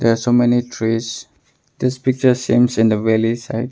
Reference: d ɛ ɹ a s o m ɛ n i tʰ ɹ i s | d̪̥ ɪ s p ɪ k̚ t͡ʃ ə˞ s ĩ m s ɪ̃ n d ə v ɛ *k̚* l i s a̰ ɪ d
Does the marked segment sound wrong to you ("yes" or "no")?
yes